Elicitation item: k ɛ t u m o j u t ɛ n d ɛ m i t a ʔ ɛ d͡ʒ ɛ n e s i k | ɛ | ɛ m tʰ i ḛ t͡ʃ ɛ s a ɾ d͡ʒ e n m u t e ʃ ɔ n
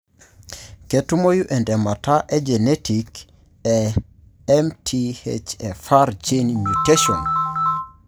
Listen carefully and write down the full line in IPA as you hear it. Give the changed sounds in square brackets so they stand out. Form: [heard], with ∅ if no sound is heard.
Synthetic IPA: k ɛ t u m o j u [ʔ] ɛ n d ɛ m [a] t a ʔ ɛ d͡ʒ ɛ n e [t] i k | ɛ | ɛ m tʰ i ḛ t͡ʃ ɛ [f] a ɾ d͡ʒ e n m u t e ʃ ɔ n